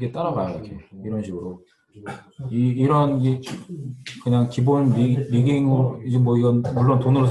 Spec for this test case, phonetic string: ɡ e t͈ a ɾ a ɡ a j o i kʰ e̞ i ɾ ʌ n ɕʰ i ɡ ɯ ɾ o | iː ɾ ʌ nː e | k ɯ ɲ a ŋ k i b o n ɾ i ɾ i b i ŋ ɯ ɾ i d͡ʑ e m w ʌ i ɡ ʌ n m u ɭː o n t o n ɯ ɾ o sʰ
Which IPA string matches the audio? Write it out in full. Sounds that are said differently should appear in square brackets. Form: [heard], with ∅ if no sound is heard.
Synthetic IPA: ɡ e t͈ a ɾ a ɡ a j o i kʰ e̞ i ɾ ʌ n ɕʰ i ɡ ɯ ɾ o | iː ɾ ʌ [n] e | k ɯ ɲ a ŋ k i b o n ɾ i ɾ i [ɡ] i ŋ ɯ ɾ i d͡ʑ e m w ʌ i ɡ ʌ n m u ɭː o n t o n ɯ ɾ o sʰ